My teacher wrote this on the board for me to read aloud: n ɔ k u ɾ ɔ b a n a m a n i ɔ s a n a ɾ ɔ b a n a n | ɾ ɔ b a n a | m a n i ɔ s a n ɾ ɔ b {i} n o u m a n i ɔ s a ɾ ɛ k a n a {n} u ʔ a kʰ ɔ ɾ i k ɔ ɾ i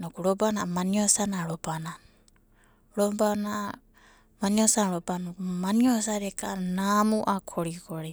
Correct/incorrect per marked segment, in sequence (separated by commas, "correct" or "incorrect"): incorrect, incorrect